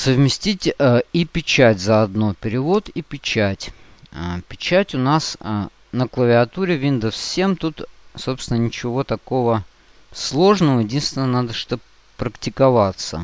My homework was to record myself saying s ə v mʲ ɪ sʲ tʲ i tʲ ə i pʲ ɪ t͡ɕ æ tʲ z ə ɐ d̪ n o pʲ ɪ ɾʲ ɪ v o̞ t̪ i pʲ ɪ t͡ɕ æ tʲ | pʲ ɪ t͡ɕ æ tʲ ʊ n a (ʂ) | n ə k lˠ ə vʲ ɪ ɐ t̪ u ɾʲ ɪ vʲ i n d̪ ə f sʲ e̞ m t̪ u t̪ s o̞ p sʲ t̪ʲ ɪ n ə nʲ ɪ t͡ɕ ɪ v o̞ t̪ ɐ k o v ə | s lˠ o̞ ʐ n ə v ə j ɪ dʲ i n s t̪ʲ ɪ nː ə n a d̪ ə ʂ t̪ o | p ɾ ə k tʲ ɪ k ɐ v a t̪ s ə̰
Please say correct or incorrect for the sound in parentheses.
incorrect